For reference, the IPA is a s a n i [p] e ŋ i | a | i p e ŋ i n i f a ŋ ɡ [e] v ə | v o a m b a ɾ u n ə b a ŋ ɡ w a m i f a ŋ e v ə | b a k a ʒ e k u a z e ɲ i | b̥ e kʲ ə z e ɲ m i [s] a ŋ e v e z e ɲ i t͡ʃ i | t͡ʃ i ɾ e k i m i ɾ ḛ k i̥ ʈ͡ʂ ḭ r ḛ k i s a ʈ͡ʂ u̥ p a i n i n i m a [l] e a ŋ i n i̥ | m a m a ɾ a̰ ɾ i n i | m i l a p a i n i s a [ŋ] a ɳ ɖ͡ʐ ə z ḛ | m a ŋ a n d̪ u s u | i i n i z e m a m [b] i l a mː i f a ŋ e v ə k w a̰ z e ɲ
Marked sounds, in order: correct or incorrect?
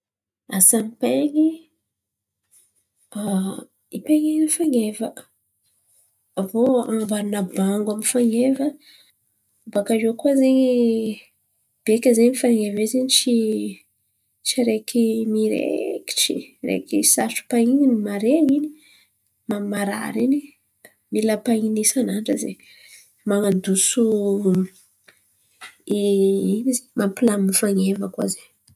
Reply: correct, correct, incorrect: f, incorrect: ɾ, incorrect: n, incorrect: p

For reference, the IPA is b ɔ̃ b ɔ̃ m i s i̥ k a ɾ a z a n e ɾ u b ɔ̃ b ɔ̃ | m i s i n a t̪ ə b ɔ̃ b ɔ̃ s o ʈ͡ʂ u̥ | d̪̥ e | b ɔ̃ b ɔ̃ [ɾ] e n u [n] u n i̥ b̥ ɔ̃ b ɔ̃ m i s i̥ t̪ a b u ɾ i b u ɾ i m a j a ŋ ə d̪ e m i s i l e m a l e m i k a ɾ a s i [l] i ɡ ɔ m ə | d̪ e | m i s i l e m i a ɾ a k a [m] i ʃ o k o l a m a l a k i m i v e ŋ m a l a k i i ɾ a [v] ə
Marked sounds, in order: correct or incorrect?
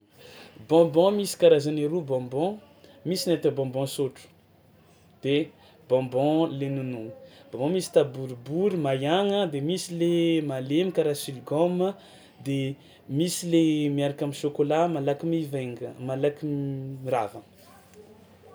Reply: incorrect: l, correct, correct, correct, correct

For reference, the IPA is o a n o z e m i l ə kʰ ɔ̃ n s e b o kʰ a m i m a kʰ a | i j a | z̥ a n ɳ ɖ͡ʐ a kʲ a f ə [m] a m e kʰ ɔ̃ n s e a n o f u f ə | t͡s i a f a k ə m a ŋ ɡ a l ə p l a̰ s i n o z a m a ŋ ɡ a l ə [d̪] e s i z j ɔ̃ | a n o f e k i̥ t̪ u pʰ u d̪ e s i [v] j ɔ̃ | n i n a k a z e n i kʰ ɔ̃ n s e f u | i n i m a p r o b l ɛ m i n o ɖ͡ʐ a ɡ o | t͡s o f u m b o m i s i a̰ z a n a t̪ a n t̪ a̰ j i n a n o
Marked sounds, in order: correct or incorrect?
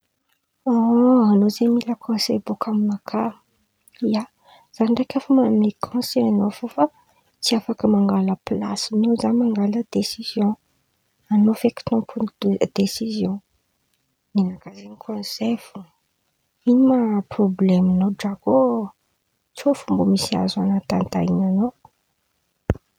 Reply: correct, correct, incorrect: z

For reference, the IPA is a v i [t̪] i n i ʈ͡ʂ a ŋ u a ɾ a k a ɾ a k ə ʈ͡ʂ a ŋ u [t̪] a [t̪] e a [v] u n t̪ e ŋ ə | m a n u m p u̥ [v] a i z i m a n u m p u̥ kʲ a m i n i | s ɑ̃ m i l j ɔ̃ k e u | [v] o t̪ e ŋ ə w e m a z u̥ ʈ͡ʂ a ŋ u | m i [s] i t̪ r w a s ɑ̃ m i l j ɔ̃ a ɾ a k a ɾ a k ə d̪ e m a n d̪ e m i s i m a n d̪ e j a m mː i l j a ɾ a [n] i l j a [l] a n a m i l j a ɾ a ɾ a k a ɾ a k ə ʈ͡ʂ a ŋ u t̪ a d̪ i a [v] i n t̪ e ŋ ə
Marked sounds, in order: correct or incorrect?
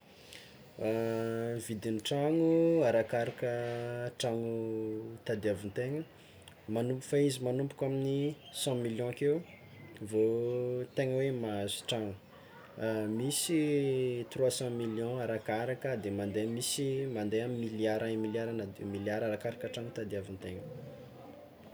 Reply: incorrect: d̪, correct, incorrect: d̪, correct, incorrect: f, correct, correct, incorrect: m, incorrect: ɾ, correct

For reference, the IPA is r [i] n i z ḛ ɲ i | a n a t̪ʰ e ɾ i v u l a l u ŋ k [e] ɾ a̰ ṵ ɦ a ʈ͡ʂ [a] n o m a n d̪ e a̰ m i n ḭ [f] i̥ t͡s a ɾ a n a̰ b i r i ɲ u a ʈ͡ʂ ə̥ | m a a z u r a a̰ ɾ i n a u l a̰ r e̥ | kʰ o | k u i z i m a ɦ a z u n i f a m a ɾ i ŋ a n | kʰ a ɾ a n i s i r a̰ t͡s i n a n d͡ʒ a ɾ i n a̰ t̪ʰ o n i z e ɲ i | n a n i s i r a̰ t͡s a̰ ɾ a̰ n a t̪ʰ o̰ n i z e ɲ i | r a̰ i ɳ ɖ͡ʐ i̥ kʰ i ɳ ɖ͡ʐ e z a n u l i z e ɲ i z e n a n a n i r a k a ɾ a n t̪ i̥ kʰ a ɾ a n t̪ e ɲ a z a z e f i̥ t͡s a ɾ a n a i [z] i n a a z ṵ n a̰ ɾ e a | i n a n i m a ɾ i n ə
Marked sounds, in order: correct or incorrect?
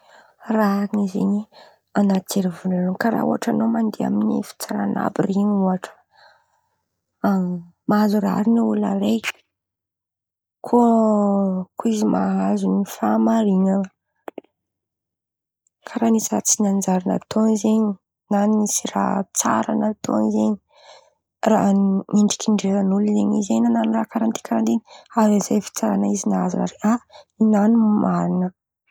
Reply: incorrect: a, incorrect: a, correct, correct, correct

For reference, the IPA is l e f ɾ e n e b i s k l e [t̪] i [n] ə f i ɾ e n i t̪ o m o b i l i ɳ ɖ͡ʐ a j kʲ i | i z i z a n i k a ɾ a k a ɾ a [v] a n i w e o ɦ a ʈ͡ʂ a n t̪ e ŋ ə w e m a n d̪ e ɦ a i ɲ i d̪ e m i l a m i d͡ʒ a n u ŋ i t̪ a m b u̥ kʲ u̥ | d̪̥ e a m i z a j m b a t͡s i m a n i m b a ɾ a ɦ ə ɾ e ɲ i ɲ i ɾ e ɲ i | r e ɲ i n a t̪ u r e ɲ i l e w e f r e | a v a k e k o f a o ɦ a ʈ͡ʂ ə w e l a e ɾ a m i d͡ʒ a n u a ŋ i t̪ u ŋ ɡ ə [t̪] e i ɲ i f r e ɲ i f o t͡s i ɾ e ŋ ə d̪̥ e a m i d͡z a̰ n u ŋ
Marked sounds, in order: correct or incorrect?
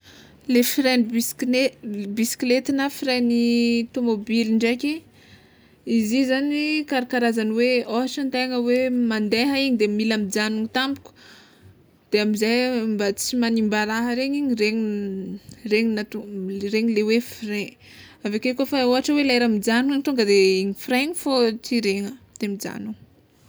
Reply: correct, correct, incorrect: z, incorrect: d̪

